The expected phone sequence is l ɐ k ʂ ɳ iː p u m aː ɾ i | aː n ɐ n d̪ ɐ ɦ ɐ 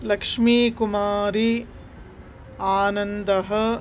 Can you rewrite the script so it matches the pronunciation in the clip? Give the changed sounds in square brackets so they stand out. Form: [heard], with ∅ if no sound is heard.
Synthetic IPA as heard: l ɐ k ʂ [m] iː [k] u m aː ɾ i | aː n ɐ n d̪ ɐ ɦ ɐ

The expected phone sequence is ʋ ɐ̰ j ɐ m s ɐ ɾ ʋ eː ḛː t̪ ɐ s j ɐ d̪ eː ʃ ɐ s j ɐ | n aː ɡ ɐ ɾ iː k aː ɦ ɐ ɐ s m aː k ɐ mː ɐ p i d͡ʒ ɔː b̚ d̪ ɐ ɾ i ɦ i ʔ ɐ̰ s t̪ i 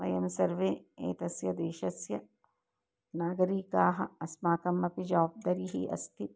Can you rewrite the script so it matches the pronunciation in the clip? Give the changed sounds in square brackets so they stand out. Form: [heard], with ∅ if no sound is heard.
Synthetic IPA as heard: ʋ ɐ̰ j ɐ m s ɐ ɾ ʋ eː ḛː t̪ ɐ s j ɐ d̪ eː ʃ ɐ s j ɐ | n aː ɡ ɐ ɾ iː k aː ɦ ɐ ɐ s m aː k ɐ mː ɐ p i d͡ʒ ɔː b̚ d̪ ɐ ɾ i ɦ i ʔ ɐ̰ s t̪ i

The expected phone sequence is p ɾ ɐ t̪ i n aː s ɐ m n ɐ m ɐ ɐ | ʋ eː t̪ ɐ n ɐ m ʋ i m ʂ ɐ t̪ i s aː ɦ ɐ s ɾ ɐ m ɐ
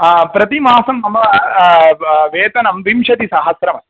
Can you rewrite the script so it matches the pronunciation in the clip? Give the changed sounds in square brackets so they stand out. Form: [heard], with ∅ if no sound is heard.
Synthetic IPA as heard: p ɾ ɐ t̪ i [m] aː s ɐ m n ɐ m ɐ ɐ | ʋ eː t̪ ɐ n ɐ m ʋ i m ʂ ɐ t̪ i s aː ɦ ɐ s ɾ ɐ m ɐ

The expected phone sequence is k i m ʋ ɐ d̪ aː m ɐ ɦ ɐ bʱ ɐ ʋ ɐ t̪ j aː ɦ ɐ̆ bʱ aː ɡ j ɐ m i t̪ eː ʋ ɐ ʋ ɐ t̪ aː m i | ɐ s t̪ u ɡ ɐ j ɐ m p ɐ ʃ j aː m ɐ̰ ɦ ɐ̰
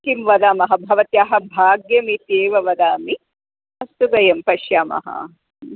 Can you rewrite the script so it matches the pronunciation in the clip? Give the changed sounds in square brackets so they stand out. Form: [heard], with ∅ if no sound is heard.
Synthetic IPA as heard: k i m ʋ ɐ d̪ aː m ɐ ɦ ɐ bʱ ɐ ʋ ɐ t̪ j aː ɦ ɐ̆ bʱ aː ɡ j ɐ m i t̪ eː ʋ ɐ ʋ ɐ [d̪] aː m i | ɐ s t̪ u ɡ ɐ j ɐ m p ɐ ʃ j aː m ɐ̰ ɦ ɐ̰

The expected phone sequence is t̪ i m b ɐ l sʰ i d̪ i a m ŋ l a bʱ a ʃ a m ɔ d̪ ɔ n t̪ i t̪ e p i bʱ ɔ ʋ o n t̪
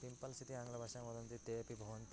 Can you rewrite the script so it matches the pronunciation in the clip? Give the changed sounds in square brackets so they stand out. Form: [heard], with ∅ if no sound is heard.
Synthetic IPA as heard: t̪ i m [p] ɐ l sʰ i [t̪] i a [∅] ŋ l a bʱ a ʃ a m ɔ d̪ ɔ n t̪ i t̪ e p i bʱ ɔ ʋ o n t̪

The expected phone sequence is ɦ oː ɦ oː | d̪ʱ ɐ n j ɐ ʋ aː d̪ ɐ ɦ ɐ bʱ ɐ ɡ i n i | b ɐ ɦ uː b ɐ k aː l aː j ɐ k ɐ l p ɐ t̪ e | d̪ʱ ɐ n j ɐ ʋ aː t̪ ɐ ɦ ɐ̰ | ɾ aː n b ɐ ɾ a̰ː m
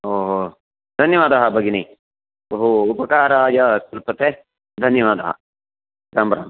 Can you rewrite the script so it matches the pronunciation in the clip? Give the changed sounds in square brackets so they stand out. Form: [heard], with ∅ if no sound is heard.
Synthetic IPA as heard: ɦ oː ɦ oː | d̪ʱ ɐ n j ɐ ʋ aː d̪ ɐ ɦ ɐ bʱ ɐ ɡ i n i | b ɐ ɦ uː [p] ɐ k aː [ɾ] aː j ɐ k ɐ l p ɐ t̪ e | d̪ʱ ɐ n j ɐ ʋ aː [d̪] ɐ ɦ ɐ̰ | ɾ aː [m] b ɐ ɾ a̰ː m

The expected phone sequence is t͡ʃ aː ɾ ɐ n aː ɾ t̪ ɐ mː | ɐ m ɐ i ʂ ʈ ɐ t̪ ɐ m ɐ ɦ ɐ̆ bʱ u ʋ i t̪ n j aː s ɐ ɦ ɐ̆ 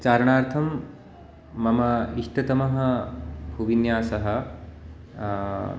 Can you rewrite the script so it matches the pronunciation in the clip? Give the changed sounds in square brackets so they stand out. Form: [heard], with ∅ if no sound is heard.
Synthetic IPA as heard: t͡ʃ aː ɾ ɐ [ɳ] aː ɾ [t̪ʰ] ɐ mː | ɐ m ɐ i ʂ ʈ ɐ t̪ ɐ m ɐ ɦ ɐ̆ bʱ u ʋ i [∅] n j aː s ɐ ɦ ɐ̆

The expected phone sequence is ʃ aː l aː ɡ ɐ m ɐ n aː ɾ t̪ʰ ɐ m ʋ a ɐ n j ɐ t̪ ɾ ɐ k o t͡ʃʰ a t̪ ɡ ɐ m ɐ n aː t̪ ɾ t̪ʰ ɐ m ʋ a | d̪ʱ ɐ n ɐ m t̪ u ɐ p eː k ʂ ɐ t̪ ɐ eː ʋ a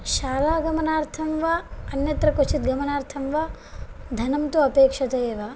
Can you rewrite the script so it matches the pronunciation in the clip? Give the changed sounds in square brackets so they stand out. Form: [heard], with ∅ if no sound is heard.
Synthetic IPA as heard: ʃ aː l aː ɡ ɐ m ɐ n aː ɾ t̪ʰ ɐ m ʋ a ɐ n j ɐ t̪ ɾ ɐ k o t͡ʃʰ [i] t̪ ɡ ɐ m ɐ n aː [∅] ɾ t̪ʰ ɐ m ʋ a | d̪ʱ ɐ n ɐ m t̪ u ɐ p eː k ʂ ɐ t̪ ɐ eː ʋ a

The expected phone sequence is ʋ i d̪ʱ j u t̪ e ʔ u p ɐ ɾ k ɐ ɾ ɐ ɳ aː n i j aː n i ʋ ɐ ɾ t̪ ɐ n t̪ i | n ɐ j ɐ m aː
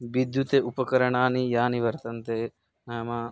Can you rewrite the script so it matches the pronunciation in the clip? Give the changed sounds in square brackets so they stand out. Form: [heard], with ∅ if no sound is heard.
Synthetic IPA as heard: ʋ i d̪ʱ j u t̪ e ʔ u p ɐ [∅] k ɐ ɾ ɐ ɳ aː n i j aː n i ʋ ɐ ɾ t̪ ɐ n t̪ [e] | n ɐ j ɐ m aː

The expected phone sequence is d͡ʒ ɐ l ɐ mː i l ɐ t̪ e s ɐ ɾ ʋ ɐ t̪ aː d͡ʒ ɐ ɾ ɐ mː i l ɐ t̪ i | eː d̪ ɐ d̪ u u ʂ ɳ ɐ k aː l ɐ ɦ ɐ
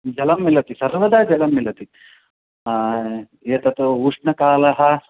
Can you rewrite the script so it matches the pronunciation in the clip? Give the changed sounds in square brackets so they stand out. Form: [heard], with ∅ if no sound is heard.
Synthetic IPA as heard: d͡ʒ ɐ l ɐ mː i l ɐ t̪ [i] s ɐ ɾ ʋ ɐ [d̪] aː d͡ʒ ɐ [l] ɐ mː i l ɐ t̪ i | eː [t̪] ɐ [t̪] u u ʂ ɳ ɐ k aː l ɐ ɦ ɐ

